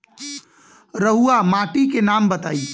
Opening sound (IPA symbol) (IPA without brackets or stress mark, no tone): ɾ